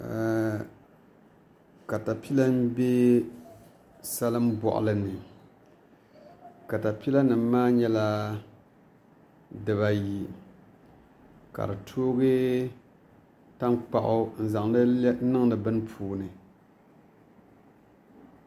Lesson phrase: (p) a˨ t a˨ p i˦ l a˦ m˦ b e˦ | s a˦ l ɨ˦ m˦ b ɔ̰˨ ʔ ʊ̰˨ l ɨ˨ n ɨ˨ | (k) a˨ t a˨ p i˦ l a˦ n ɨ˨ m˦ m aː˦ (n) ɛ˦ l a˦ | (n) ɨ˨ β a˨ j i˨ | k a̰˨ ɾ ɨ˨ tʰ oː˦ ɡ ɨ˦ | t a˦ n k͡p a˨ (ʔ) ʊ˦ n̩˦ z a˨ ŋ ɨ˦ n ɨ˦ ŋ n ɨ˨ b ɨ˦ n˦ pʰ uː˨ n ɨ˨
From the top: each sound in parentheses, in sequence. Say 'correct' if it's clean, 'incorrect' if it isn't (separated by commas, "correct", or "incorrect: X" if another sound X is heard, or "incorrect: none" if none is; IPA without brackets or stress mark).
incorrect: k, correct, incorrect: ɲ, incorrect: d, correct